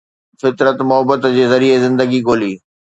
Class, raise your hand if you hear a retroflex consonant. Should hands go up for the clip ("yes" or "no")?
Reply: no